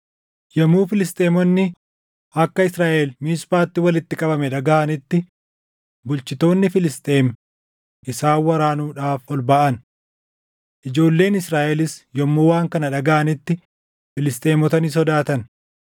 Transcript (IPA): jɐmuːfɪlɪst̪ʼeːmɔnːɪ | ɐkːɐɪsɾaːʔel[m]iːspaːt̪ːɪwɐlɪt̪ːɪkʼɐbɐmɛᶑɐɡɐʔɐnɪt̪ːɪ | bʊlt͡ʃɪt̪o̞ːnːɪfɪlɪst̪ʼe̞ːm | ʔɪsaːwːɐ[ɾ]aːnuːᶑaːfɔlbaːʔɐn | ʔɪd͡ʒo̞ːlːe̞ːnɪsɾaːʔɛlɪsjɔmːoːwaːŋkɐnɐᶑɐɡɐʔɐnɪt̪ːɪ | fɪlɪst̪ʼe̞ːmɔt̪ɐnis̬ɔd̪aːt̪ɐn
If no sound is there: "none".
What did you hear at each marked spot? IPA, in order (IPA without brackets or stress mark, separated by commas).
m, ɾ